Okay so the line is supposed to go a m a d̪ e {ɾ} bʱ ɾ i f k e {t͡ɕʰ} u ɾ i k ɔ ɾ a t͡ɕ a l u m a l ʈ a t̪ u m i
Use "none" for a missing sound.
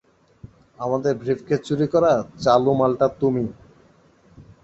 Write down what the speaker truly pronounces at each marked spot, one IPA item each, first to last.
ɾ, t͡ɕ

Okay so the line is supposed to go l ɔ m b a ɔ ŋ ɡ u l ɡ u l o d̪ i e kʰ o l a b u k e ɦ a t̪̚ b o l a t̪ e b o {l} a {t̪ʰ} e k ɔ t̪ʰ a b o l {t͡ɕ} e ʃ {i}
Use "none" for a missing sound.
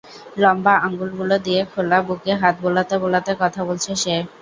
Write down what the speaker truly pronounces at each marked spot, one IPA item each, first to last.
l, t̪, t͡ɕʰ, e

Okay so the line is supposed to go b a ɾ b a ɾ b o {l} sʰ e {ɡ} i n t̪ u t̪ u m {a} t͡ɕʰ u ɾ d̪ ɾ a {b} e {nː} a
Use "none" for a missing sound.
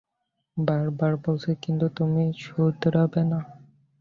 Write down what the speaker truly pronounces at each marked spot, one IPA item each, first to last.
l, k, i, b, n

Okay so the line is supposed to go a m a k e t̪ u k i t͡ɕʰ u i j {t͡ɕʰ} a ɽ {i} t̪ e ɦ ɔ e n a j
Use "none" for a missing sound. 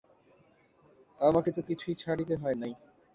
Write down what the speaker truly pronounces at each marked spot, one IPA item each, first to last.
t͡ɕʰ, i

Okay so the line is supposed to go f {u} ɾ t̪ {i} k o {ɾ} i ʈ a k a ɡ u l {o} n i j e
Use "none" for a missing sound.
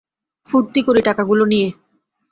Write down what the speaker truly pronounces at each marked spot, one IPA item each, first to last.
u, i, ɾ, o

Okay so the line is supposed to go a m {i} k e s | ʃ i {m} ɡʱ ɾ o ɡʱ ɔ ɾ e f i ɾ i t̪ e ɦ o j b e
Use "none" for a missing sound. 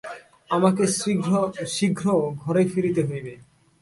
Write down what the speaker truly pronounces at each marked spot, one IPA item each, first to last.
a, none

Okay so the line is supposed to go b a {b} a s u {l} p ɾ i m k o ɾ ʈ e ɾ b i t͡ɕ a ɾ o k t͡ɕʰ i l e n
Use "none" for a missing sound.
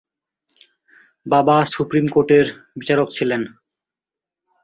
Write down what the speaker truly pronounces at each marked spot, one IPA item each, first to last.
b, none

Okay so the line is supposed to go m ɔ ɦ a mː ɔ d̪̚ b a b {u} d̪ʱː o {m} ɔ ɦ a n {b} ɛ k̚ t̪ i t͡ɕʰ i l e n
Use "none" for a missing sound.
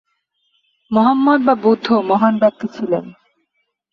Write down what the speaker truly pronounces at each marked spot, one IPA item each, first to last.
u, m, b

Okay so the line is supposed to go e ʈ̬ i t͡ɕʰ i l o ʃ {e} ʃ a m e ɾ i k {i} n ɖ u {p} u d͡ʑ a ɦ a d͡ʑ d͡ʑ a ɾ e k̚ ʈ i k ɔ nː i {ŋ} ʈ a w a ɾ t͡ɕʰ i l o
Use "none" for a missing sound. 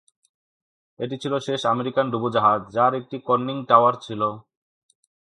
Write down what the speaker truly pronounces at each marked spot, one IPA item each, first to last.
e, a, b, ŋ

